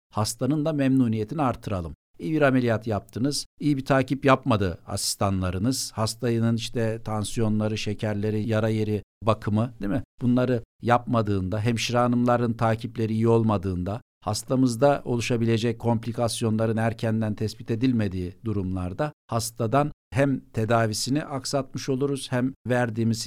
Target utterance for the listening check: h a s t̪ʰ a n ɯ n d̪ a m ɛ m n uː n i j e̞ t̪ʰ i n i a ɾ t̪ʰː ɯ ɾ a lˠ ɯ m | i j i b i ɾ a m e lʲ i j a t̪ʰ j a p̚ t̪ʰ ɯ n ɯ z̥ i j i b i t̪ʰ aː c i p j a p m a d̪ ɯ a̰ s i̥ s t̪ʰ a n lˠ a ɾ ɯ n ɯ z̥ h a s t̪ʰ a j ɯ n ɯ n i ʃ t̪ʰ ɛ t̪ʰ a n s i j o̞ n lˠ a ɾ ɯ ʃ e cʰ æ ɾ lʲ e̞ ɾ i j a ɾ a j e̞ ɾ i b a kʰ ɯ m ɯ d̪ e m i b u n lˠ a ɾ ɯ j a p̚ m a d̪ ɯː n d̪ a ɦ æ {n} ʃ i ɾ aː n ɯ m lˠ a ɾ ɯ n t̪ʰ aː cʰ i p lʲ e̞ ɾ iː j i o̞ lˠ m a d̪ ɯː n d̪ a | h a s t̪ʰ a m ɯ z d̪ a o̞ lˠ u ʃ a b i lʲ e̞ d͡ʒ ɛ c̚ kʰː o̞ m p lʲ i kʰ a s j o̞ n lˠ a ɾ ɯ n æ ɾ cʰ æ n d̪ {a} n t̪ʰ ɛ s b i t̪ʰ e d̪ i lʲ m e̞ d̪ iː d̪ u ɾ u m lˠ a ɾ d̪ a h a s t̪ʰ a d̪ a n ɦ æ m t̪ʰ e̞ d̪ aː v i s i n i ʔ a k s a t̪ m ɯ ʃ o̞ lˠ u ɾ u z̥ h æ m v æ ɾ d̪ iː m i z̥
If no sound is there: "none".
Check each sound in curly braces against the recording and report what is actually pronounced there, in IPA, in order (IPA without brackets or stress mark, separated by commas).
m, æ